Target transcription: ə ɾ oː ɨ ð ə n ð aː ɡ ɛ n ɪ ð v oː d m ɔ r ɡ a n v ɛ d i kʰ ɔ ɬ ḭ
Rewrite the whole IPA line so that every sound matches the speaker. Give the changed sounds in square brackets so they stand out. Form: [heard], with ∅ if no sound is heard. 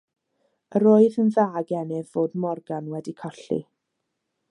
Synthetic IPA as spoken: ə ɾ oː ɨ ð ə n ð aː ɡ ɛ n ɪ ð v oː d m ɔ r ɡ a n [w] ɛ d i kʰ ɔ ɬ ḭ